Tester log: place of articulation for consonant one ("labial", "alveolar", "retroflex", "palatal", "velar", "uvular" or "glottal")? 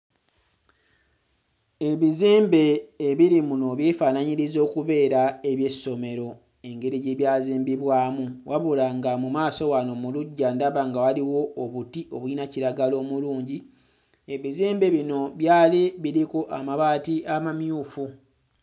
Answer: labial